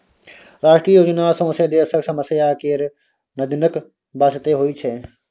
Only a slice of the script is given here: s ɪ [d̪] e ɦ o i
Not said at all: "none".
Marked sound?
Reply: t̪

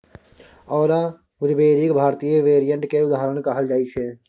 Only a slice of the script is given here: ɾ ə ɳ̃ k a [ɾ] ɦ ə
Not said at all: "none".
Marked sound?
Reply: none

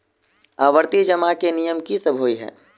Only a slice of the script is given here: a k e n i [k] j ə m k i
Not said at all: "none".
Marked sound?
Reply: none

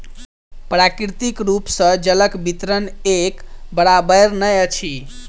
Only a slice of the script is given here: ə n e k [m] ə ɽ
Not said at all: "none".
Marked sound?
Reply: b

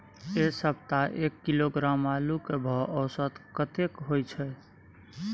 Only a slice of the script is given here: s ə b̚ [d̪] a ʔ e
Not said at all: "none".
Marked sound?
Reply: t̪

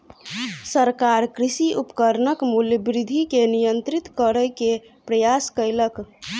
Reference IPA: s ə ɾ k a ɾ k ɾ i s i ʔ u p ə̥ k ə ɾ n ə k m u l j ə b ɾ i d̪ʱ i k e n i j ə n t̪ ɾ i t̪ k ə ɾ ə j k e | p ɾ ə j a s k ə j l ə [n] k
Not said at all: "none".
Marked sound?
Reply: none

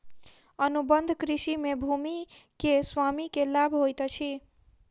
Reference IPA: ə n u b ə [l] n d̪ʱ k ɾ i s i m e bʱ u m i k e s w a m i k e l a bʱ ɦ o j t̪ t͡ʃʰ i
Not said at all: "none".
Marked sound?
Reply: none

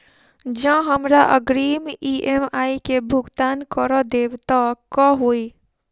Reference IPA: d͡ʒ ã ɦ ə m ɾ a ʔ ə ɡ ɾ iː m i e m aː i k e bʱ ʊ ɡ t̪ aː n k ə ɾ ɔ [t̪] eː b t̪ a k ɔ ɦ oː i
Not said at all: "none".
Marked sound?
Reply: d̪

